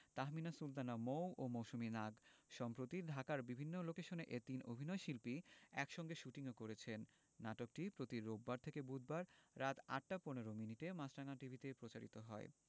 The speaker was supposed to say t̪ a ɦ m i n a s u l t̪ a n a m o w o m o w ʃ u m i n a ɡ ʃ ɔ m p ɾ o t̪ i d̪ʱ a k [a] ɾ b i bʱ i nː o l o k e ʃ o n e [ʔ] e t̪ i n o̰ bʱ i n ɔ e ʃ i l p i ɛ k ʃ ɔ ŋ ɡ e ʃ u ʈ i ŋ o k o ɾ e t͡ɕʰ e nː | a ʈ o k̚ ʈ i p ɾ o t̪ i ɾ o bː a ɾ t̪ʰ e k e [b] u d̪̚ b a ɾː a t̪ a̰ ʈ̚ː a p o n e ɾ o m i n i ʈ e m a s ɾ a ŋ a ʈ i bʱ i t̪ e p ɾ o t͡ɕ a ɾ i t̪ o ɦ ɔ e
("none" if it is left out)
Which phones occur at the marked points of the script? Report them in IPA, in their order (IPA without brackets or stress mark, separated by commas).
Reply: a, ʔ, b